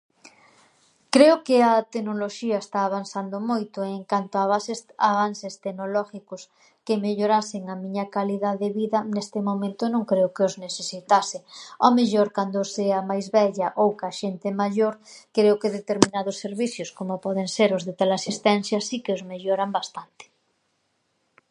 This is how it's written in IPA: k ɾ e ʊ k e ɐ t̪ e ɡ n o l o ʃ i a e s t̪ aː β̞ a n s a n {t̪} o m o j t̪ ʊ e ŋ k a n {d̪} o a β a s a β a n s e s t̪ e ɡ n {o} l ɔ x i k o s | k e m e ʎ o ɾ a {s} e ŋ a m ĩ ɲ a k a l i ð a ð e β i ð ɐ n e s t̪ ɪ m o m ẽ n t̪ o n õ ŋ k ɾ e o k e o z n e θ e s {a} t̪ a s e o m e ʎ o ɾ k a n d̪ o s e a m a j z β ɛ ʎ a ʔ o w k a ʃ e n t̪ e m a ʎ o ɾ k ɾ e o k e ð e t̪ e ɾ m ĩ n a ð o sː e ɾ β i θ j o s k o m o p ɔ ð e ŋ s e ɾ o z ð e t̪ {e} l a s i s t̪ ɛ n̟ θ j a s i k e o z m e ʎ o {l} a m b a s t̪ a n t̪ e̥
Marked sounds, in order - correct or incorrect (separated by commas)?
incorrect, incorrect, correct, correct, incorrect, incorrect, incorrect